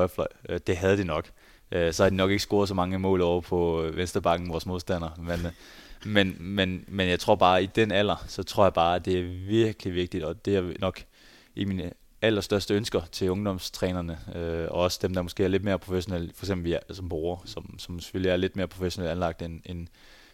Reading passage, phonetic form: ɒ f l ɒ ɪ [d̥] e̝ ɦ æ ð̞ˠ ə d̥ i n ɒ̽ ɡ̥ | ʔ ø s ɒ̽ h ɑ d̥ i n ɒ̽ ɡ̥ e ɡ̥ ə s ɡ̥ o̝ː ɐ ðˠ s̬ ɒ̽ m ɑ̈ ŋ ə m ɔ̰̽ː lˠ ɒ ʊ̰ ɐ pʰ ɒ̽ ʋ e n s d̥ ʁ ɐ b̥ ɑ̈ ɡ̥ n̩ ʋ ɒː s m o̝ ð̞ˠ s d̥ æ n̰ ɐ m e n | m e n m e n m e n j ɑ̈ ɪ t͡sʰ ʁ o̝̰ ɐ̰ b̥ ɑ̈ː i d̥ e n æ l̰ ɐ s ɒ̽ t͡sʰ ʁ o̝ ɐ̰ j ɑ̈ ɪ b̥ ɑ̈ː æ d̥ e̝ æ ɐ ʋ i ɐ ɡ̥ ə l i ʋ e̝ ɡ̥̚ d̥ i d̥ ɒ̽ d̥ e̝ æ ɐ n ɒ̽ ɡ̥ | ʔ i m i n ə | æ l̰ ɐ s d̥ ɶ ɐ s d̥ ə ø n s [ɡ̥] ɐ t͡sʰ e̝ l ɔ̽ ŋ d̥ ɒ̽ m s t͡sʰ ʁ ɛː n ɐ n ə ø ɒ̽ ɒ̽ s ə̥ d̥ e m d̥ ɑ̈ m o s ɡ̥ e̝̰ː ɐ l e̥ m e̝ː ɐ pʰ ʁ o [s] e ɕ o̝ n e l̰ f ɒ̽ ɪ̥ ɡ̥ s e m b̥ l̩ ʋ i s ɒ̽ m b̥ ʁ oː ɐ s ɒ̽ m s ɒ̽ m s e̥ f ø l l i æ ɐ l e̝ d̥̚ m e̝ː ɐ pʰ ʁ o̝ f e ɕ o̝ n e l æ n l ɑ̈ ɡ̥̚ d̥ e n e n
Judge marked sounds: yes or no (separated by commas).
yes, yes, no